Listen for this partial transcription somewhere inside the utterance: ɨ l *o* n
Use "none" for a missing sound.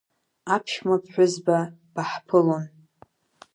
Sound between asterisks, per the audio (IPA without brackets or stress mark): o